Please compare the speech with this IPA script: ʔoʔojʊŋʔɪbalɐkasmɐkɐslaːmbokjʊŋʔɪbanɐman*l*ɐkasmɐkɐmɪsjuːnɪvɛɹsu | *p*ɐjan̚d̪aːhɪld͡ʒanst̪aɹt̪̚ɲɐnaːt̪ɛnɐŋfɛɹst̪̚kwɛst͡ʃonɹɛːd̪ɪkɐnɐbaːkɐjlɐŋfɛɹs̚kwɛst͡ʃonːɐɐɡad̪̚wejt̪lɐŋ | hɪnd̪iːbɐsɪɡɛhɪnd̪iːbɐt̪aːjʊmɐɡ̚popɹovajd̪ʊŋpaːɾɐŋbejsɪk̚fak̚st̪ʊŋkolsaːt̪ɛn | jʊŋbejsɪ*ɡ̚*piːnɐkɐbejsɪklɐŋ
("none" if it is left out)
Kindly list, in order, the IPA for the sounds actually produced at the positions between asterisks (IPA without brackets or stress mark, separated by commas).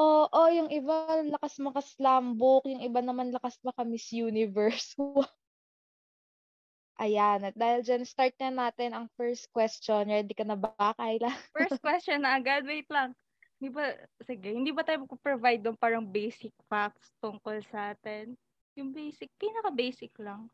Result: l, ʔ, k̚